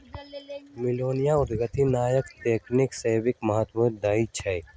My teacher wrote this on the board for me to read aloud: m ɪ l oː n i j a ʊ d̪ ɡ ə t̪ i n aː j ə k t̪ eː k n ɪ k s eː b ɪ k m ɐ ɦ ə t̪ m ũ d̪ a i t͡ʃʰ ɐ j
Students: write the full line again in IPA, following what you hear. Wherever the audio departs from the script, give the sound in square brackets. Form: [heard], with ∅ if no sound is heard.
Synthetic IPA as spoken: m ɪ l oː n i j a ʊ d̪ ɡ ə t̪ i n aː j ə k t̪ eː k n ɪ k s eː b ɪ k m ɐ ɦ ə t̪ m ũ d̪ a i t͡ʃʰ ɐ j